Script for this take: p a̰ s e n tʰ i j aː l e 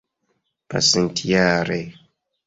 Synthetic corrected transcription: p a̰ s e n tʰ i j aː ɾ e